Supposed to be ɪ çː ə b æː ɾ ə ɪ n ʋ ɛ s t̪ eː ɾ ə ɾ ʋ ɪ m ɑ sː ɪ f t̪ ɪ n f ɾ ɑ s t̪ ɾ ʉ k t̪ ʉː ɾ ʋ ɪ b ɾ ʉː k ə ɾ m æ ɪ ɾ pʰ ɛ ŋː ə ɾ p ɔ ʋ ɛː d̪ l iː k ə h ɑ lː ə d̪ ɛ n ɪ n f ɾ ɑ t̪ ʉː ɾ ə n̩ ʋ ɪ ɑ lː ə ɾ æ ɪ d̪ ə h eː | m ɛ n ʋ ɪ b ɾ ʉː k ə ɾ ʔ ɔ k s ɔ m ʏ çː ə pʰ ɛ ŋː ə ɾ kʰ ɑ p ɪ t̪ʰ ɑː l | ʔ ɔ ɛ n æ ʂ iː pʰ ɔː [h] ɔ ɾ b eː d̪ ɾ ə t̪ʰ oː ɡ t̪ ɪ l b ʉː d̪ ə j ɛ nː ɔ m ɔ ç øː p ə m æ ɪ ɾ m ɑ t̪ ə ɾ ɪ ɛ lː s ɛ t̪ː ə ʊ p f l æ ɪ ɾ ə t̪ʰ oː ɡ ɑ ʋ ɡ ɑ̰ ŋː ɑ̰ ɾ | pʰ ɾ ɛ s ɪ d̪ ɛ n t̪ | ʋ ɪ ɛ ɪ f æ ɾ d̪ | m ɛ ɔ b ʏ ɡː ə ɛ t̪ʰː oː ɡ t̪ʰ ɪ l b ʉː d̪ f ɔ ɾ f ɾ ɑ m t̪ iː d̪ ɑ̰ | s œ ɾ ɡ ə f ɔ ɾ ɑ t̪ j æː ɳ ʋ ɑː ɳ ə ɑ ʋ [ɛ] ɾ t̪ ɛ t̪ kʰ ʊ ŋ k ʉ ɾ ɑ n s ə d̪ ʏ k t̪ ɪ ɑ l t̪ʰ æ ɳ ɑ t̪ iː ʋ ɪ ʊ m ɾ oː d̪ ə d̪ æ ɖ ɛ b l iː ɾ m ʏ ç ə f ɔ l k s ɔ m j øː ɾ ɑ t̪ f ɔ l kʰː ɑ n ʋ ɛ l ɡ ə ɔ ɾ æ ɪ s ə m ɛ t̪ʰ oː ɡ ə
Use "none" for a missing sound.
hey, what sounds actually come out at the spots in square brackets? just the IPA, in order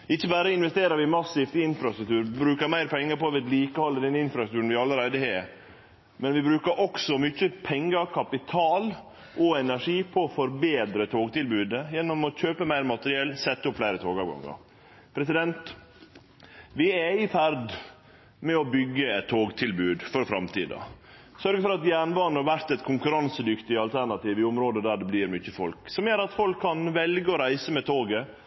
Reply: f, æ

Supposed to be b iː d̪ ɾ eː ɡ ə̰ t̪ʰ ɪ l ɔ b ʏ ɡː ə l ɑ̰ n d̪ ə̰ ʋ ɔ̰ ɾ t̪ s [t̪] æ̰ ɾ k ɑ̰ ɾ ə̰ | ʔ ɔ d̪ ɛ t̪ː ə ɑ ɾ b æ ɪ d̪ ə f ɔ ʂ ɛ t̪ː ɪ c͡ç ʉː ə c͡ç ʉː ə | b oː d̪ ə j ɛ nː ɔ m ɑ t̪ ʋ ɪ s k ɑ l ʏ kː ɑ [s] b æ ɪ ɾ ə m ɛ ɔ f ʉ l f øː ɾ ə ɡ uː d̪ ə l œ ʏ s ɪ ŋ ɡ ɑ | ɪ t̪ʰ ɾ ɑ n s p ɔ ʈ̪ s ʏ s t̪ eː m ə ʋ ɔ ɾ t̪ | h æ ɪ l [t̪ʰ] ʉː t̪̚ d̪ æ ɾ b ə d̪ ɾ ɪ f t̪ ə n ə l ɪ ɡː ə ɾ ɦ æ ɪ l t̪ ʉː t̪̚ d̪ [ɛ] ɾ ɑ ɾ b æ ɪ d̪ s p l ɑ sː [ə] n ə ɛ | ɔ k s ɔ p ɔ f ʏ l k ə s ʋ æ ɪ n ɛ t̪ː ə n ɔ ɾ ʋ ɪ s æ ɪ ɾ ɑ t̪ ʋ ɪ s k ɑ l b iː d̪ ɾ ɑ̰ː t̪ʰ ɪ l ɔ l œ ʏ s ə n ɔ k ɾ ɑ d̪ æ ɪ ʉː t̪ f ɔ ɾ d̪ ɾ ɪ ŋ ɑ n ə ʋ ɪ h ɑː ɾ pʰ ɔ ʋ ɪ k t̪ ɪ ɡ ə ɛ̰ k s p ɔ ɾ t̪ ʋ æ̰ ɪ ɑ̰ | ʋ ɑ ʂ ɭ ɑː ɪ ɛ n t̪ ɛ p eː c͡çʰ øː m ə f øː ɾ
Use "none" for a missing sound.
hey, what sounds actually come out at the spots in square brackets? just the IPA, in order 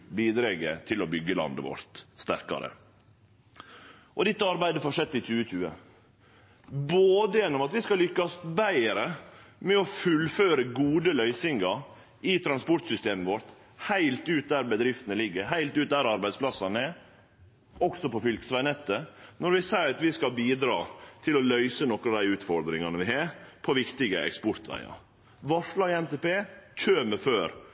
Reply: t̪, s, t̪, æ, ɑ

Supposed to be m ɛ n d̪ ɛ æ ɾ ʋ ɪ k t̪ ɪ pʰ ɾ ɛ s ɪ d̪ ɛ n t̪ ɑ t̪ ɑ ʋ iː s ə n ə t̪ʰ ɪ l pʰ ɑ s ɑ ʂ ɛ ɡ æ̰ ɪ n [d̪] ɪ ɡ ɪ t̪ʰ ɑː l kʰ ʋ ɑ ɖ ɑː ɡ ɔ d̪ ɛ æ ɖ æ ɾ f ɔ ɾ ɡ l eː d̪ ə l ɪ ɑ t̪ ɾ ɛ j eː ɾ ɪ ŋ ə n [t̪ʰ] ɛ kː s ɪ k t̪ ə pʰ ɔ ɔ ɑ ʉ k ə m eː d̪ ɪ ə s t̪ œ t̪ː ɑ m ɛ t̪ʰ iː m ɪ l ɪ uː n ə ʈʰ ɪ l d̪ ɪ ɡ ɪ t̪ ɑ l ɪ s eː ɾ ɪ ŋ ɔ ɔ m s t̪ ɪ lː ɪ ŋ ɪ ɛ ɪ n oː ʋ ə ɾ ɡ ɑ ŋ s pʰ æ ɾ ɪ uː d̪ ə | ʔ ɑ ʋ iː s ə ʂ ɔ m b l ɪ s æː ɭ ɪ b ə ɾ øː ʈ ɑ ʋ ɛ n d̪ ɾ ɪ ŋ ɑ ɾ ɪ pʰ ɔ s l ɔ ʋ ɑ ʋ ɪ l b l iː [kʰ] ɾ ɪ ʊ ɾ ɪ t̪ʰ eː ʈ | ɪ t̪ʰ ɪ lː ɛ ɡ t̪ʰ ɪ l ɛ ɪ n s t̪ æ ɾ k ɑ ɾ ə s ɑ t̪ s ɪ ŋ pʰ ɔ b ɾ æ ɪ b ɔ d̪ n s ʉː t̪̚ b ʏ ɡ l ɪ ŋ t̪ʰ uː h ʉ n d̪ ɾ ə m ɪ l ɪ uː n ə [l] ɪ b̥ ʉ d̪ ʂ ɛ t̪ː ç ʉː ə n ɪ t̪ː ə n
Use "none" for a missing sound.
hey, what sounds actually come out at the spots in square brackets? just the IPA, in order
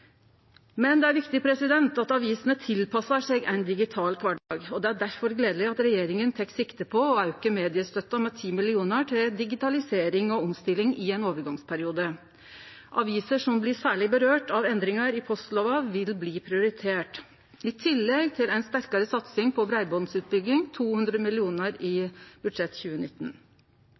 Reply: d̪, t̪ʰ, pʰ, ɾ

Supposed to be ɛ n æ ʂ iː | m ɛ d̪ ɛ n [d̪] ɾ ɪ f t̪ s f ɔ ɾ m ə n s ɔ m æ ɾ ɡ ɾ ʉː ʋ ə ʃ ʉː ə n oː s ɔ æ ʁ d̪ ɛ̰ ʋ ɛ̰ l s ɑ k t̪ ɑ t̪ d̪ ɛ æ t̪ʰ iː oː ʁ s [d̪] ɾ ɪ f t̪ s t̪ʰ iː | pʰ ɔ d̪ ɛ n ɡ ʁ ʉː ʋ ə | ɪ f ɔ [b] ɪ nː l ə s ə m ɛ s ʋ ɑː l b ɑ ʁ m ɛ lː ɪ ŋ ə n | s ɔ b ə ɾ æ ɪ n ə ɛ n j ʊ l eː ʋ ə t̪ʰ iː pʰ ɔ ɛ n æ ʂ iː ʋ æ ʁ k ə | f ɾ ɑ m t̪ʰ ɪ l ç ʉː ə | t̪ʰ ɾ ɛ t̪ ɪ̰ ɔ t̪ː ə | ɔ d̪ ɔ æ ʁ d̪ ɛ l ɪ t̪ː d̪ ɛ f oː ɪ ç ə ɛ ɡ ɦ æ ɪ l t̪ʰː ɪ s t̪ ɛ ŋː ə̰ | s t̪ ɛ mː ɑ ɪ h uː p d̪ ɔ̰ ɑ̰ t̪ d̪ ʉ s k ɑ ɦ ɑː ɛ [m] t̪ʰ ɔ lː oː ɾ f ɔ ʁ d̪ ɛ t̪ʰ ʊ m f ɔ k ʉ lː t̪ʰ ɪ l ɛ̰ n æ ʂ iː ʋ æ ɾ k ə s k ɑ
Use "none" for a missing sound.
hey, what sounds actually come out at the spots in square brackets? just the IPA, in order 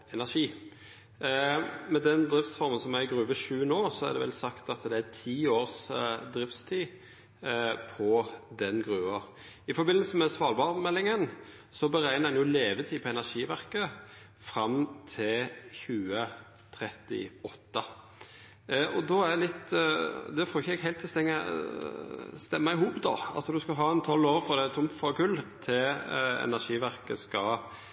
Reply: d̪, d̪, b, n

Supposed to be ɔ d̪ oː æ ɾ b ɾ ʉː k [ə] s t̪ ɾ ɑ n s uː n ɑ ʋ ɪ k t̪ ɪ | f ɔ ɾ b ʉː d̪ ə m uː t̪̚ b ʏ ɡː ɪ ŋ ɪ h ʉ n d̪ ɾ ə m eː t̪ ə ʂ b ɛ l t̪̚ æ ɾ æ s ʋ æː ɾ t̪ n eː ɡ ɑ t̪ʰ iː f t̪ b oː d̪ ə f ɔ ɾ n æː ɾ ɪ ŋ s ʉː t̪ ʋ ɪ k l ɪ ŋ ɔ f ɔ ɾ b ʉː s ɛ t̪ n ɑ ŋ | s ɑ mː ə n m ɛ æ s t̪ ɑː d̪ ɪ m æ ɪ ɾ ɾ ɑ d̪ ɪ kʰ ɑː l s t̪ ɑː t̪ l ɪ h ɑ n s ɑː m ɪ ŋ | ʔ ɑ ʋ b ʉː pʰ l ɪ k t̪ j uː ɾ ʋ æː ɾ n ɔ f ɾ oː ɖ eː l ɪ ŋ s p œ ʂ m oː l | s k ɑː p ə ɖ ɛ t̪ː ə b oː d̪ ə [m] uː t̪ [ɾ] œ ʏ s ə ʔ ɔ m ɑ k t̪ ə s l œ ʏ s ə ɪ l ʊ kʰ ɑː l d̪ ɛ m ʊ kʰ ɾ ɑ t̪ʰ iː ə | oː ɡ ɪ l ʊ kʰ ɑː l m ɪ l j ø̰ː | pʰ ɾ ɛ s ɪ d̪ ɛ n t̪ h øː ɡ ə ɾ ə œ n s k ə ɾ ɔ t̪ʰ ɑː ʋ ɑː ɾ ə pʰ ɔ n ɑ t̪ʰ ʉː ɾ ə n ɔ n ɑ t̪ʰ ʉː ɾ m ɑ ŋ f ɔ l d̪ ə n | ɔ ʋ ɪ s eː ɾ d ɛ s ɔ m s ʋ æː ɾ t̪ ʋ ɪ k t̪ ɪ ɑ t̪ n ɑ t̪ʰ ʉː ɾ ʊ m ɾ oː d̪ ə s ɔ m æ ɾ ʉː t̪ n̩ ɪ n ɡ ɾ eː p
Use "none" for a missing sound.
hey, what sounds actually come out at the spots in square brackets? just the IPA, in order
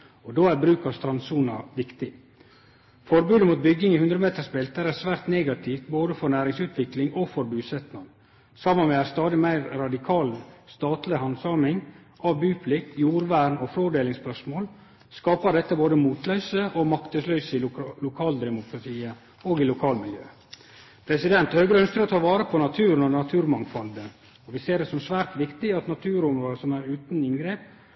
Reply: ɑ, m, l

